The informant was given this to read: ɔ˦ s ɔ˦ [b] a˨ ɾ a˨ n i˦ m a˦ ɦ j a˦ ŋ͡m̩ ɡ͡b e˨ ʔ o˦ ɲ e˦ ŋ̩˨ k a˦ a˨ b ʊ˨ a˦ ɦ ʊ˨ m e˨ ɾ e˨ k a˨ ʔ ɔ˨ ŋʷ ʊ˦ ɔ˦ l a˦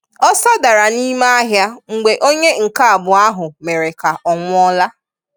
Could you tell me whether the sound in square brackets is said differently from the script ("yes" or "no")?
yes